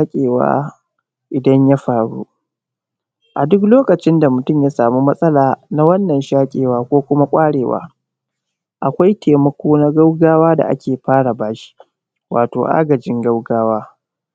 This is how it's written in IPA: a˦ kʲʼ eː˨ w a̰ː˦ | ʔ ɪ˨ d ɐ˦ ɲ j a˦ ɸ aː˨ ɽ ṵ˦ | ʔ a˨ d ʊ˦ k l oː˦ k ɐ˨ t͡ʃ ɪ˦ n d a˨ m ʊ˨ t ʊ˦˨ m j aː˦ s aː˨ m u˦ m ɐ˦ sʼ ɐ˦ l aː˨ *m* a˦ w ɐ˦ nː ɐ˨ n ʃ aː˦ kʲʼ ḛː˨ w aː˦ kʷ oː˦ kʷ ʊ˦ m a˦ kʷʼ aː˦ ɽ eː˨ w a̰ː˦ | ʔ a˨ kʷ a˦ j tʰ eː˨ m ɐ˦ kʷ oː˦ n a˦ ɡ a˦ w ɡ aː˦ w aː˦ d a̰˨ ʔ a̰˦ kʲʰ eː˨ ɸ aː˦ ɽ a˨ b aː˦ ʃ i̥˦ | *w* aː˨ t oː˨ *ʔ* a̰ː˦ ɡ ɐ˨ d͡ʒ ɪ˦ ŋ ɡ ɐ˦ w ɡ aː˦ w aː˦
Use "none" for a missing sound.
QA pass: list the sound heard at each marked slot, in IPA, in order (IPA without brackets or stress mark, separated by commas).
n, w, ʔ